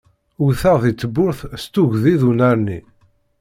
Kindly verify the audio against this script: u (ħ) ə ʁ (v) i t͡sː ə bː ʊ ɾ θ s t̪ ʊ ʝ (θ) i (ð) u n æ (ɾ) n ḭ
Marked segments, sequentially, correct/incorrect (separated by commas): incorrect, incorrect, incorrect, correct, correct